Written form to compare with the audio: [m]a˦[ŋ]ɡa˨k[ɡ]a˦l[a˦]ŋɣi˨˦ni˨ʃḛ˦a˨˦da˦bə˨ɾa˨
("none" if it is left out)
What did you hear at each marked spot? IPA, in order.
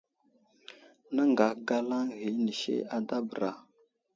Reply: n, ŋ, ɡ, a˦

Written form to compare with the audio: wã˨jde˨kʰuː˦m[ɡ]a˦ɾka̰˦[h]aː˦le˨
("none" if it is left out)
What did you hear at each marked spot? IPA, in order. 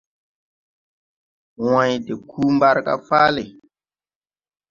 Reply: b, f

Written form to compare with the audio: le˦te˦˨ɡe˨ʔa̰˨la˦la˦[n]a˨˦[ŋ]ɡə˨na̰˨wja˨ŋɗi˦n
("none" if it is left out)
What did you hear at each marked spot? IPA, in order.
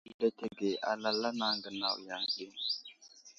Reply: n, ŋ

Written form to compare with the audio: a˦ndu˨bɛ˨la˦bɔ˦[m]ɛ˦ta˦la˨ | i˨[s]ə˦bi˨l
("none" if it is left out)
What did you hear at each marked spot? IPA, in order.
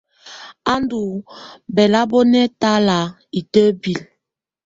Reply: n, t

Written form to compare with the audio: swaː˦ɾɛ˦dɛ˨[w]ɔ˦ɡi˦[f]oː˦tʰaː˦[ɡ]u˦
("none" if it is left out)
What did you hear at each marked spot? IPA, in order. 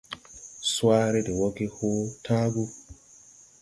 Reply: w, h, ɡ

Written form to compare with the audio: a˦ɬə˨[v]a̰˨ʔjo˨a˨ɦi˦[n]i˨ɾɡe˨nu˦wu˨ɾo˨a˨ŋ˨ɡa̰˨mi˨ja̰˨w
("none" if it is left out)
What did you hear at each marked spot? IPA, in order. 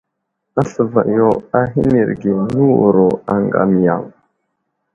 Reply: v, n

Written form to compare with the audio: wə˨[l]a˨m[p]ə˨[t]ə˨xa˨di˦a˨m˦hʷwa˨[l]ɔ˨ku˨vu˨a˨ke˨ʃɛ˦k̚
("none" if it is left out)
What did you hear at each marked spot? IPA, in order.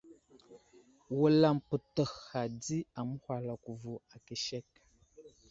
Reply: l, p, t, l

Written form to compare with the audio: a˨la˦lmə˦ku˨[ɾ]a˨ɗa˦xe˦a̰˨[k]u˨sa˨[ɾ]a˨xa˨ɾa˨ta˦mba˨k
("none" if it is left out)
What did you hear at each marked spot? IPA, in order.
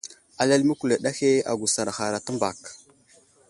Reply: l, ɡ, ɾ

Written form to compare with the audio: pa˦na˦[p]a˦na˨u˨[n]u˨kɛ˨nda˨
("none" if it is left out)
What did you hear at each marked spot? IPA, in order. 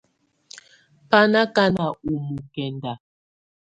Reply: k, m

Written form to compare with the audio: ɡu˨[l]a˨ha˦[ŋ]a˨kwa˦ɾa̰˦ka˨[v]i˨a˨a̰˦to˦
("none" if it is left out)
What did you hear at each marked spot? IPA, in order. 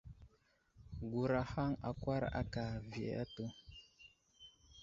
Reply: ɾ, ŋ, v

